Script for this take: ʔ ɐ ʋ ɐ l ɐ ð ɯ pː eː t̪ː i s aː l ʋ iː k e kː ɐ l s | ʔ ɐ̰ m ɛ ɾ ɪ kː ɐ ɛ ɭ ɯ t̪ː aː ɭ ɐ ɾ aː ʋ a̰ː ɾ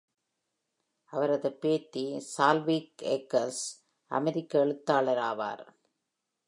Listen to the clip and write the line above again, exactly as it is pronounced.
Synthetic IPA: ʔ ɐ ʋ ɐ ɾ ɐ ð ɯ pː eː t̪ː i s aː l ʋ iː k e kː ɐ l s | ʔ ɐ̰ m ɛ ɾ ɪ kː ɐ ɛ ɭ ɯ t̪ː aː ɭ ɐ ɾ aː ʋ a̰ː ɾ

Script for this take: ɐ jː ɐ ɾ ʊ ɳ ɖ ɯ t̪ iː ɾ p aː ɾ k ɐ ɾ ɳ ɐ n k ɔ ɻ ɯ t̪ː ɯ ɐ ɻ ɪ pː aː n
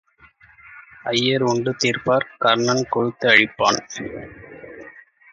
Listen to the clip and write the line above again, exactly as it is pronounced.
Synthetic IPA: ɐ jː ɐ ɾ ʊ ɳ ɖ ɯ t̪ iː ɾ p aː ɾ k ɐ ɾ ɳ ɐ n k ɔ ɻ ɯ t̪ː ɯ ɐ ɻ ɪ pː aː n

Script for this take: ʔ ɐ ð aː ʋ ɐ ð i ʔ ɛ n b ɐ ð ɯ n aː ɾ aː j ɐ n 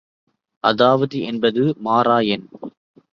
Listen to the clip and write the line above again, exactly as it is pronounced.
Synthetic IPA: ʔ ɐ ð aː ʋ ɐ ð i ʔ ɛ n b ɐ ð ɯ m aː ɾ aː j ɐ n

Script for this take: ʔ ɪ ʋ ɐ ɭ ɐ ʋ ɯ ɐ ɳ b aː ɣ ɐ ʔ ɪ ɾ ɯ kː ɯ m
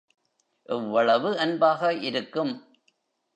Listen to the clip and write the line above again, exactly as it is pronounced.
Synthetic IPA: ʔ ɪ ʋː ɐ ɭ ɐ ʋ ɯ ɐ n b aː ɣ ɐ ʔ ɪ ɾ ɯ kː ɯ m

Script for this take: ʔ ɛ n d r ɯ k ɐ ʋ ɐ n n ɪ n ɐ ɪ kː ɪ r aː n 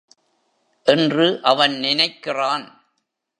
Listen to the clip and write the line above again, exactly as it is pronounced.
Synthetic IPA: ʔ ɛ n d r ɯ ʔ ɐ ʋ ɐ n n ɪ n ɐ ɪ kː ɪ r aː n

